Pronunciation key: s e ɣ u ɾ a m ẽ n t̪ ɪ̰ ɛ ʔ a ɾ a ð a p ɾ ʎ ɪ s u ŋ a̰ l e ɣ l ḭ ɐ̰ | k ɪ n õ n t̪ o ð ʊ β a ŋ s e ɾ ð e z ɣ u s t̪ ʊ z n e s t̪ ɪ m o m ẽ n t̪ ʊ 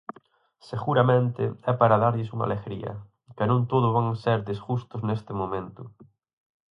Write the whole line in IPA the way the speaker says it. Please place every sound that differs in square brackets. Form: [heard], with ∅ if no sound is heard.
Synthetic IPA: s e ɣ u ɾ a m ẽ n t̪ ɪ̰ ɛ [p] a ɾ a ð a [∅] ɾ ʎ ɪ s u ŋ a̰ l e ɣ [ɾ] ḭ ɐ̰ | k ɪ n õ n t̪ o ð ʊ β a ŋ s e ɾ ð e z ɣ u s t̪ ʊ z n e s t̪ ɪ m o m ẽ n t̪ ʊ

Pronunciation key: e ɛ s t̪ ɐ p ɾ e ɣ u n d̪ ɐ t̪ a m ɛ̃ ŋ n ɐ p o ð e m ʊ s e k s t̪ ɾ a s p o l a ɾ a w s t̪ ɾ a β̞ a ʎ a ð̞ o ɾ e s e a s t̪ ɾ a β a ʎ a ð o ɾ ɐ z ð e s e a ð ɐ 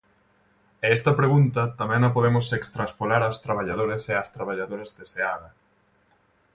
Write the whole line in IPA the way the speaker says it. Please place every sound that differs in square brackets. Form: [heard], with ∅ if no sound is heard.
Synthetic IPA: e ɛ s t̪ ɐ p ɾ e ɣ u n [t̪] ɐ t̪ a m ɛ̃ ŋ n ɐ p o ð e m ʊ s e k s t̪ ɾ a s p o l a ɾ a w s t̪ ɾ a β̞ a ʎ a ð̞ o ɾ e s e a s t̪ ɾ a β a ʎ a ð o ɾ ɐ z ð e s e a ð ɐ

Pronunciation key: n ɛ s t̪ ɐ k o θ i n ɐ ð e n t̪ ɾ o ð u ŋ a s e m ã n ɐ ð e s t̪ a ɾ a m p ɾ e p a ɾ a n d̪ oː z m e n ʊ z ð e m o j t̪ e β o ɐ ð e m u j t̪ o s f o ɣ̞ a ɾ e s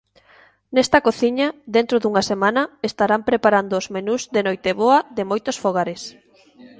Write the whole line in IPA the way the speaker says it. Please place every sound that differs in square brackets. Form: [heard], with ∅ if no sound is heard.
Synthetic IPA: n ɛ s t̪ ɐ k o θ i [ɲ] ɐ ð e n t̪ ɾ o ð u ŋ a s e m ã n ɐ [∅] e s t̪ a ɾ a m p ɾ e p a ɾ a n d̪ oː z m e n [u] z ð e [n] o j t̪ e β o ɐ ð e m [o] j t̪ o s f o ɣ̞ a ɾ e s

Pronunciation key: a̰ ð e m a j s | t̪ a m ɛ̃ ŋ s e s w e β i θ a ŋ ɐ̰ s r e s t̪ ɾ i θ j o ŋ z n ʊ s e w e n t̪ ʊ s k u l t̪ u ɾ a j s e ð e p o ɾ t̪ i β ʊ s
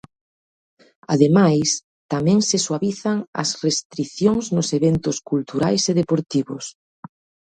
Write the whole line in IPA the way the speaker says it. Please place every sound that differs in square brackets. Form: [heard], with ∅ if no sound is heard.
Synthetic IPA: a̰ ð e m a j s | t̪ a m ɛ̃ ŋ s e s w [a] β i θ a ŋ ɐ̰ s r e s t̪ ɾ i θ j o ŋ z n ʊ s e [β] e n t̪ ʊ s k u l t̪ u ɾ a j s e ð e p o ɾ t̪ i β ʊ s

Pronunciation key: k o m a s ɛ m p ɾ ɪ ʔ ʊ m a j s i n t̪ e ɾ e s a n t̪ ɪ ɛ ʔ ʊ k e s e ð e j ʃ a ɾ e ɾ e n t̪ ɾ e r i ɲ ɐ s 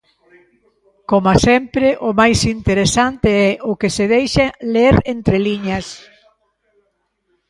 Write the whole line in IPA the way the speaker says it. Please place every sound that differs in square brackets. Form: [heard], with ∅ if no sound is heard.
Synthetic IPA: k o m a s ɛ m p ɾ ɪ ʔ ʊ m a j s i n t̪ e ɾ e s a n t̪ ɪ ɛ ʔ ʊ k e s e ð e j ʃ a [l] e ɾ e n t̪ ɾ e [l] i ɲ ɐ s

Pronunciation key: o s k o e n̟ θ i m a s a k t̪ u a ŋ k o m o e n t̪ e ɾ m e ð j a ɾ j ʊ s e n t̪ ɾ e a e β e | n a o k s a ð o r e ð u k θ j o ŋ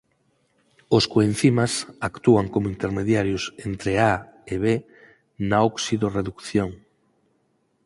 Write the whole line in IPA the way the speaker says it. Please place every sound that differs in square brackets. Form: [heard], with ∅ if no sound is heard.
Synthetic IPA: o s k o e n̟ θ i m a s a k t̪ u a ŋ k o m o [i] n t̪ e ɾ m e ð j a ɾ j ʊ s e n t̪ ɾ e a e β e | n a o k s [i] ð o r e ð u k θ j o ŋ

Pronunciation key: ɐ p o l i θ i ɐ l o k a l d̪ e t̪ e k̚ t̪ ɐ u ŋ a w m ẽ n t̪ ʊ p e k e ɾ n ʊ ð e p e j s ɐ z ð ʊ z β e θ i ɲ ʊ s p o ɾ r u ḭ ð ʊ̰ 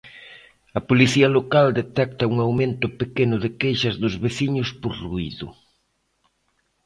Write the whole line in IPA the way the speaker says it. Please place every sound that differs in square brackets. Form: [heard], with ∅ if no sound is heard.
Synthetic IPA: ɐ p o l i θ i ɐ l o k a l d̪ e t̪ [ɛ] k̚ t̪ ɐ u ŋ a w m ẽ n t̪ ʊ p e k e [∅] n ʊ ð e [k] e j [ʃ] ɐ z ð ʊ z β e θ i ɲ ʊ s p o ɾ r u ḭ ð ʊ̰

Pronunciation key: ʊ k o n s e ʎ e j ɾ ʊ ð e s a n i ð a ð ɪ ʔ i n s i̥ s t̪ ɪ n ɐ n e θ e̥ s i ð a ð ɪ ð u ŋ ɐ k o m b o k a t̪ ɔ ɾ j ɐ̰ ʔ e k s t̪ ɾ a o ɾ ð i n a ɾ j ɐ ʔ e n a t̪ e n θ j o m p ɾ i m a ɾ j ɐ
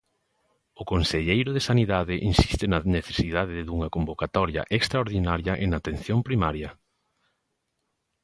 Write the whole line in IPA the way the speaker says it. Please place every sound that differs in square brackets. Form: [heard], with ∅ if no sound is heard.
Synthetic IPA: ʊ k o n s e ʎ e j ɾ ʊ ð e s a n i ð a ð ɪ ʔ i n s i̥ s t̪ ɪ n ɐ n e θ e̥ s i ð a ð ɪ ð u ŋ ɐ k o m b o k a t̪ ɔ ɾ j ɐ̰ ʔ e k s t̪ ɾ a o ɾ ð i n a ɾ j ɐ ʔ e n a t̪ e n θ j o m p ɾ i m a ɾ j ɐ

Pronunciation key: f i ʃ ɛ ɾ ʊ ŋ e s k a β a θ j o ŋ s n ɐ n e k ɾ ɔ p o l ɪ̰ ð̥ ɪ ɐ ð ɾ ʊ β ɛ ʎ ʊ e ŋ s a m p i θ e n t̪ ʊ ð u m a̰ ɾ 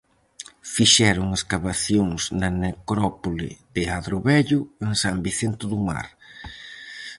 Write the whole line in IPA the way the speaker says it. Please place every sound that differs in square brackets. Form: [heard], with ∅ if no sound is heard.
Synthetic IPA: f i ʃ ɛ ɾ ʊ ŋ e s k a β a θ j o ŋ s n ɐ n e k ɾ ɔ p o l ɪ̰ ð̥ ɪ [a] ð ɾ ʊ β ɛ ʎ ʊ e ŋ s a m [b] i θ e n t̪ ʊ ð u m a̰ ɾ

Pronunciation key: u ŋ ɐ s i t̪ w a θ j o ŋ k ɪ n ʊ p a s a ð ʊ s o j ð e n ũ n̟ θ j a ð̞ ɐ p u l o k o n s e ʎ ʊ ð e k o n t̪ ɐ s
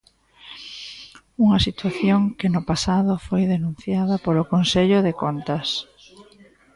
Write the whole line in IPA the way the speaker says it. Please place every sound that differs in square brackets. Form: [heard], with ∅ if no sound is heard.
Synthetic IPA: u ŋ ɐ s i t̪ w a θ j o ŋ k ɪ n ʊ p a s a ð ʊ [f] o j ð e n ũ n̟ θ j a ð̞ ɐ p [o] l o k o n s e ʎ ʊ ð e k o n t̪ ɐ s

